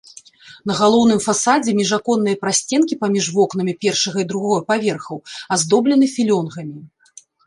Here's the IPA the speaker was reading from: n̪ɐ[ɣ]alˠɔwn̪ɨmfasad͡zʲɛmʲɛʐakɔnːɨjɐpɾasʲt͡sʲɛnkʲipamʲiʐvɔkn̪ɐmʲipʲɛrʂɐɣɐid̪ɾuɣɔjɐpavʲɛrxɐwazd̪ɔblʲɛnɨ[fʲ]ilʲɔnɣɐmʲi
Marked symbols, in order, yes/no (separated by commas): yes, yes